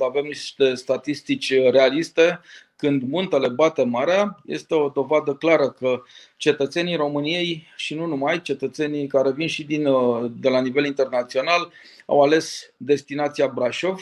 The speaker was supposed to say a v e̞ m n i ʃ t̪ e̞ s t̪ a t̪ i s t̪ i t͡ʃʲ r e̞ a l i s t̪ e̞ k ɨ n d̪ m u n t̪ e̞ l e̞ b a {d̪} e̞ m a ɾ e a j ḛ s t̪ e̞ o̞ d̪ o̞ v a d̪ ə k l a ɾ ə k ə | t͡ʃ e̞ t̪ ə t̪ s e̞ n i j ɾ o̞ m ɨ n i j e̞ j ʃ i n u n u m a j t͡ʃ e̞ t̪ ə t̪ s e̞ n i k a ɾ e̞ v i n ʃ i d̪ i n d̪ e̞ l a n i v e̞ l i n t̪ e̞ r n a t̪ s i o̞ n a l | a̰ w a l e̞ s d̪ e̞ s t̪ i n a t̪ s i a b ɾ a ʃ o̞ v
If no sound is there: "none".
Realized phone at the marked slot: t̪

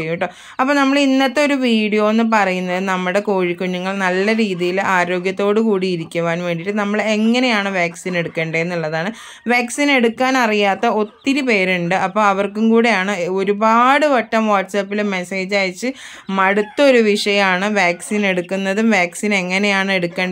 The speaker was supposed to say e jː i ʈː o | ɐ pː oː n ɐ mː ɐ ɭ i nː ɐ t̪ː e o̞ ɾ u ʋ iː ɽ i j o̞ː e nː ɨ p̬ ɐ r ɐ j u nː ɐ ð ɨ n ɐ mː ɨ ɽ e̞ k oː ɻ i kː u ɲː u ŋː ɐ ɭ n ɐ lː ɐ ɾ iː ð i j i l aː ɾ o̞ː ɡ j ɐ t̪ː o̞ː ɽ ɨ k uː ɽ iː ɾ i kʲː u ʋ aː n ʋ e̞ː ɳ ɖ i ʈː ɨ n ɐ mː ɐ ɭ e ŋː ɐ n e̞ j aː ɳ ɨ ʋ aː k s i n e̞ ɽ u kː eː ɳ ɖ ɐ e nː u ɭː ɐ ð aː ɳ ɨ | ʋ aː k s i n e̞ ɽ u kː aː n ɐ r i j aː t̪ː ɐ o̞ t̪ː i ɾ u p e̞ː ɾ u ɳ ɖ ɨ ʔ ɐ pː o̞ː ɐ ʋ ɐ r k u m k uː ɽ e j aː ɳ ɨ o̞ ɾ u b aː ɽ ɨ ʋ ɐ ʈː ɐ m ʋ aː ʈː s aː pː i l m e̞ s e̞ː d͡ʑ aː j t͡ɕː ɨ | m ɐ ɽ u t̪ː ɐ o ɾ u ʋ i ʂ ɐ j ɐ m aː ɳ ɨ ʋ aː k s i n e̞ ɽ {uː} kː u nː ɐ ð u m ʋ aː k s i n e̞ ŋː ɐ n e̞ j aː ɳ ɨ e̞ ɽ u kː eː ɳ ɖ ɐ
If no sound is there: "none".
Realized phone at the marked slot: u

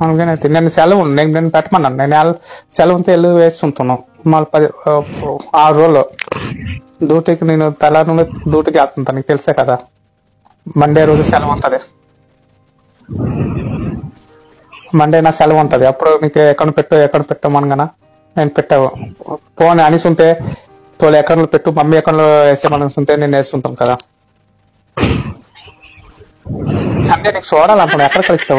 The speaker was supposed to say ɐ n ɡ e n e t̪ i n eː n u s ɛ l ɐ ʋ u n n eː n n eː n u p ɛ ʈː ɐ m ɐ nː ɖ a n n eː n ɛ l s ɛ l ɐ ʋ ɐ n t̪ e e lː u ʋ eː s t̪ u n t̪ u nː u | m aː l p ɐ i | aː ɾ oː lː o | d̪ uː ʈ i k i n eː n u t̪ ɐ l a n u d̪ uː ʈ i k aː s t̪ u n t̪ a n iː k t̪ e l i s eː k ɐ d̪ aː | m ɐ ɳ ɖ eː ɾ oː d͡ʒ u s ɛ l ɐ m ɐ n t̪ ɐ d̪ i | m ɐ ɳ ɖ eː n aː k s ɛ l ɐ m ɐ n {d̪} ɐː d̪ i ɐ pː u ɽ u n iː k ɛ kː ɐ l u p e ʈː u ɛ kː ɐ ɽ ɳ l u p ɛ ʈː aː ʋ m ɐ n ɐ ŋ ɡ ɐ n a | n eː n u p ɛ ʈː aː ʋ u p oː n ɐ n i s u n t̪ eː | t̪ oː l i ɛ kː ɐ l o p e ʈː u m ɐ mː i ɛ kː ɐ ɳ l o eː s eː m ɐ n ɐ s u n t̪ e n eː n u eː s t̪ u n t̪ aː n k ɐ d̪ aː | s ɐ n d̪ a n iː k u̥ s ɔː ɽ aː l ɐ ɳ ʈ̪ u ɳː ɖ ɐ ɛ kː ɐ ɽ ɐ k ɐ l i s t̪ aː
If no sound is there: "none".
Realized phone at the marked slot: t̪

